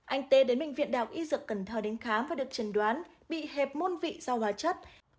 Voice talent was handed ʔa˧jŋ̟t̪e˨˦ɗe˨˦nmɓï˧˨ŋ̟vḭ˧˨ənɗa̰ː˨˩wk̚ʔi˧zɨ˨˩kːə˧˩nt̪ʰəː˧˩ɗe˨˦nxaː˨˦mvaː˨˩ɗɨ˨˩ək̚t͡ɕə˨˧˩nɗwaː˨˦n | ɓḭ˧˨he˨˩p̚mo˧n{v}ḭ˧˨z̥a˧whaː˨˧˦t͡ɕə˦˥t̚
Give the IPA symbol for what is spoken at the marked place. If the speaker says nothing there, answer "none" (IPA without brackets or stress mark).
v